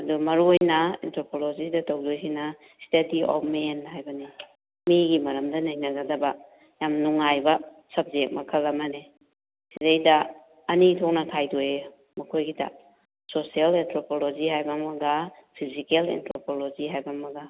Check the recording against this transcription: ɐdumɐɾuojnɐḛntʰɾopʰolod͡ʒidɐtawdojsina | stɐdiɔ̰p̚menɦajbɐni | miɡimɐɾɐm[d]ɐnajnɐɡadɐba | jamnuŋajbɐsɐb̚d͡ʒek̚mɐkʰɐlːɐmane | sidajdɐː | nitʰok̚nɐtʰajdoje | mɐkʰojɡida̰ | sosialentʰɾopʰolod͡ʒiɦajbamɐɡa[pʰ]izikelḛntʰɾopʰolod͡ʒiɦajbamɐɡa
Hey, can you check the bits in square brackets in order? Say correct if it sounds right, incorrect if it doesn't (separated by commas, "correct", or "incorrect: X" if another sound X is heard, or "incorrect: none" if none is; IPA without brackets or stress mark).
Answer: correct, correct